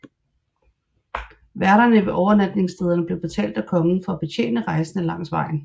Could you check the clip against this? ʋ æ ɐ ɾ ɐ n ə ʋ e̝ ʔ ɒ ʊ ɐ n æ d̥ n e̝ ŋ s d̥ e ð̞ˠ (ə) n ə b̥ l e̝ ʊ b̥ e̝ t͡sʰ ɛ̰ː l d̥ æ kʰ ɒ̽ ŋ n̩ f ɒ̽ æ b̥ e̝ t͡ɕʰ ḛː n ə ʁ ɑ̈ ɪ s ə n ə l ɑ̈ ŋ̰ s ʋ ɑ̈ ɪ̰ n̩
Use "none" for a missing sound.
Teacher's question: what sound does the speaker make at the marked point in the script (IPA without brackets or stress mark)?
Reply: ɐ